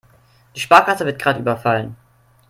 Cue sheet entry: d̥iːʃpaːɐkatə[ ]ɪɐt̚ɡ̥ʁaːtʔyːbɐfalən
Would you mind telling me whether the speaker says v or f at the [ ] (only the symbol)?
v